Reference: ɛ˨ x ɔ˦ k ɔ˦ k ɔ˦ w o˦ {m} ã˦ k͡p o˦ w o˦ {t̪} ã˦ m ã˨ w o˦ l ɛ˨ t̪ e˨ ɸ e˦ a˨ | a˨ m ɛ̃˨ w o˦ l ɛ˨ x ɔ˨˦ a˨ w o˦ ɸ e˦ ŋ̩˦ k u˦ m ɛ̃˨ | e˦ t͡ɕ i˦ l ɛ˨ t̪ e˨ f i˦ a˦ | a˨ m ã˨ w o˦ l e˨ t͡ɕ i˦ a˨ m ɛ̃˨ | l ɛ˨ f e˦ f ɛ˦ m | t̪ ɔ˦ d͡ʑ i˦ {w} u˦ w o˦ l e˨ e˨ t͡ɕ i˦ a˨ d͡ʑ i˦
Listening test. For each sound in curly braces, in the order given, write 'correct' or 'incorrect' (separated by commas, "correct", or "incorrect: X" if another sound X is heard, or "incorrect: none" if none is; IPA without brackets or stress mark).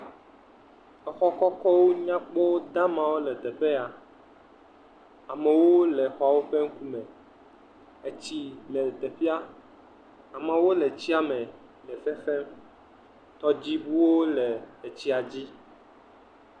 incorrect: ɲ, incorrect: d̪, incorrect: b